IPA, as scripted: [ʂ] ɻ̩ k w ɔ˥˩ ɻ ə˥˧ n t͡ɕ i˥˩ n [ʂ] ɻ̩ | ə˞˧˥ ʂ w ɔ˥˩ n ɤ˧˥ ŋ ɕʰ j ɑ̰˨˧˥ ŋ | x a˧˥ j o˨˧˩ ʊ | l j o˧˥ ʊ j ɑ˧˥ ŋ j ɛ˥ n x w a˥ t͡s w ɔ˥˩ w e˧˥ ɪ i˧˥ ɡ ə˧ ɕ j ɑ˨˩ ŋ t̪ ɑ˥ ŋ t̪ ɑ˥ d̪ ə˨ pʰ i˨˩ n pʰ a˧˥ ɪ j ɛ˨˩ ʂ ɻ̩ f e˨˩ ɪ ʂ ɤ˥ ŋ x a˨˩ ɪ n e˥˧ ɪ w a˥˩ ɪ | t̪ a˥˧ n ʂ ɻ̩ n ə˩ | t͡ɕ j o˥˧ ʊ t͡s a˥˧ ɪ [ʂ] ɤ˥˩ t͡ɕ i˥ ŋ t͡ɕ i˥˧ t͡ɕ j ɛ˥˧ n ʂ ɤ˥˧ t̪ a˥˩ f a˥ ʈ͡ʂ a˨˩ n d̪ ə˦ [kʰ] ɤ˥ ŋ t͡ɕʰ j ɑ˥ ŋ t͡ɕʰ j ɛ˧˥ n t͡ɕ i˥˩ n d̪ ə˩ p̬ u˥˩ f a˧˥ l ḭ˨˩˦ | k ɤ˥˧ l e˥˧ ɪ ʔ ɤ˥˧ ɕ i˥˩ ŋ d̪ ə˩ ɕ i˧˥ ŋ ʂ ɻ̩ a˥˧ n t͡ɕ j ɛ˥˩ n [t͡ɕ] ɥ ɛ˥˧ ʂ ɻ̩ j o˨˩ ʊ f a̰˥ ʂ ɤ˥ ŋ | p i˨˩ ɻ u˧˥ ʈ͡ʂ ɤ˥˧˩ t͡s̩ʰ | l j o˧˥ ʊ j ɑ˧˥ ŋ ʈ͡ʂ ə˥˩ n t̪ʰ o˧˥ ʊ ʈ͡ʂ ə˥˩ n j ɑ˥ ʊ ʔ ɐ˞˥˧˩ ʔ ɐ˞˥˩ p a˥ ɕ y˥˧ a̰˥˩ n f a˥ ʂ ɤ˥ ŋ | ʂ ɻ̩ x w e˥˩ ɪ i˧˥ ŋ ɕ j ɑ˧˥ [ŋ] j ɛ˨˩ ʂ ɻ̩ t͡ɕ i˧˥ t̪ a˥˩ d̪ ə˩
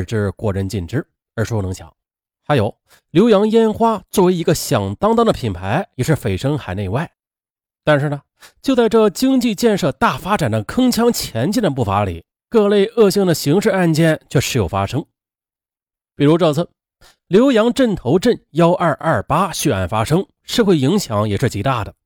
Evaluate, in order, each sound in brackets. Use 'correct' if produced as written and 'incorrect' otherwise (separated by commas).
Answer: incorrect, incorrect, incorrect, correct, incorrect, correct